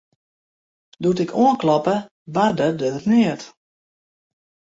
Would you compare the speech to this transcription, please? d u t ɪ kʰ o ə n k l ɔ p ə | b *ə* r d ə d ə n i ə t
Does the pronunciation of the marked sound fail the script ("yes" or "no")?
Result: yes